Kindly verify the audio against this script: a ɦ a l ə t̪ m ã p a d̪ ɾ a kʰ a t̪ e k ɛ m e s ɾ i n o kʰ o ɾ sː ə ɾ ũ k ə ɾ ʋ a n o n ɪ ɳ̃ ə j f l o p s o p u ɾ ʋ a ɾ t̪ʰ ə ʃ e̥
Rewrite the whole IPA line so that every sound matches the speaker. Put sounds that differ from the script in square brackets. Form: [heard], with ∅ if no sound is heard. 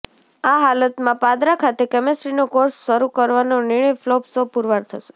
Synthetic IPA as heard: a ɦ a l ə t̪ m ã p a d̪ ɾ a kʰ a t̪ e k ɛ m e s ɾ i n o [k] o ɾ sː ə ɾ [u] k ə ɾ ʋ a n o n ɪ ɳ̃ ə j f l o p s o p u ɾ ʋ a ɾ t̪ʰ ə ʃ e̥